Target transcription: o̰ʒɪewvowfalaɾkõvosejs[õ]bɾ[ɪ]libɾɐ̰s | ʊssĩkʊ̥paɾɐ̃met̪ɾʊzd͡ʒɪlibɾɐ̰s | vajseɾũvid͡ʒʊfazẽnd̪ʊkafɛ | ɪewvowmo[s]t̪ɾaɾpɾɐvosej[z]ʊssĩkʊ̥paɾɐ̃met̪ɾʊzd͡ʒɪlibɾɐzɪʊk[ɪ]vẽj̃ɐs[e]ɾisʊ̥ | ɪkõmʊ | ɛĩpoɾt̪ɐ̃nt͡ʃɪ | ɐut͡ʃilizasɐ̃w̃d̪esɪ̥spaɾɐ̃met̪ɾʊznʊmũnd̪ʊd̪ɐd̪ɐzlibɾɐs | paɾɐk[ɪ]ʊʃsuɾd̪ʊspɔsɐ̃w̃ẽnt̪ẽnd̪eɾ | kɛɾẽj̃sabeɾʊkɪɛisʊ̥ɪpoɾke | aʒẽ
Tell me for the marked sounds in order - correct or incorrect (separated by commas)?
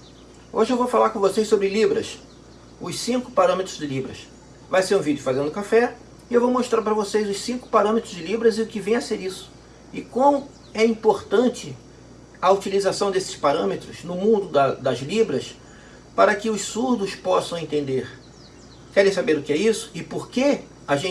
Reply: incorrect, correct, incorrect, correct, correct, correct, correct